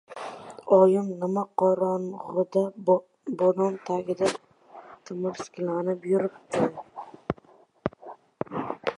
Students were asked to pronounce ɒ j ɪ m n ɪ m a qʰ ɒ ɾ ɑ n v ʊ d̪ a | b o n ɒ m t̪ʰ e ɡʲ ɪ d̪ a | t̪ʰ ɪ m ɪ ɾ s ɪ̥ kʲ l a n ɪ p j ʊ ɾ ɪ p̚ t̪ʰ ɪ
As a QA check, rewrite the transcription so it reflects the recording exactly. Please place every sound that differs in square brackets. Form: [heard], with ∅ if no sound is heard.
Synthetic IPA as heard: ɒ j ɪ m n ɪ m a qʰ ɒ ɾ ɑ n [ʁ] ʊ d̪ a | b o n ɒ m t̪ʰ [a] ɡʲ ɪ d̪ a | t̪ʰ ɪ m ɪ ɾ s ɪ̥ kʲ l a n ɪ p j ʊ ɾ ɪ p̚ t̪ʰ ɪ